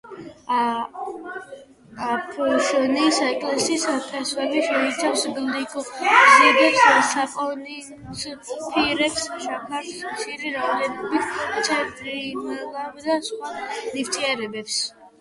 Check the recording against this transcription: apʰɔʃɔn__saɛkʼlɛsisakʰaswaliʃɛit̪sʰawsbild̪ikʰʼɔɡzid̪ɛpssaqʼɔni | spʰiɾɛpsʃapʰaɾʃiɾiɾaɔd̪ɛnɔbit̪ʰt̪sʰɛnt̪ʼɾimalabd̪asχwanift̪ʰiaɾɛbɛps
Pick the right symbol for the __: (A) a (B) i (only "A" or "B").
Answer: B